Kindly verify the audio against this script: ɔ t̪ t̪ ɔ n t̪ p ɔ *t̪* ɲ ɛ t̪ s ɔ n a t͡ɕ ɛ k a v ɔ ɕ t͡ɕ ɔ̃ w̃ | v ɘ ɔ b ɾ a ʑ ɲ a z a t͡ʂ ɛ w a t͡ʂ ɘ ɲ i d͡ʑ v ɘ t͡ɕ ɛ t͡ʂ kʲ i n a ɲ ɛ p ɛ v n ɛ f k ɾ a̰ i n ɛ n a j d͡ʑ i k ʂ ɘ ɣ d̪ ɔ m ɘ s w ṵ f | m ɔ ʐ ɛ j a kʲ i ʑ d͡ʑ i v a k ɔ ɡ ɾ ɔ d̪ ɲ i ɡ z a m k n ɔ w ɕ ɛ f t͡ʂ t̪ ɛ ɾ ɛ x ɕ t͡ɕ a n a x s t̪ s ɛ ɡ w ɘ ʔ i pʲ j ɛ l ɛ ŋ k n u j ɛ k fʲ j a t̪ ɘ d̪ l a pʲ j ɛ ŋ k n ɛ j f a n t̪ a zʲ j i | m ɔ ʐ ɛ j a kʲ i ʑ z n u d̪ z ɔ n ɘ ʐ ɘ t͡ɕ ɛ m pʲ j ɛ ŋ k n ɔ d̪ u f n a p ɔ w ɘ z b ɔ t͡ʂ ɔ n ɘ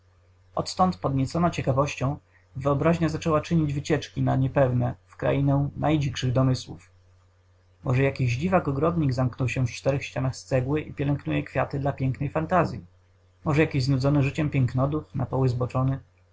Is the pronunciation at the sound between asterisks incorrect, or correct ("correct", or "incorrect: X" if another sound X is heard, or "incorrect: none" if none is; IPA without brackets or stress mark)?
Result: incorrect: d̪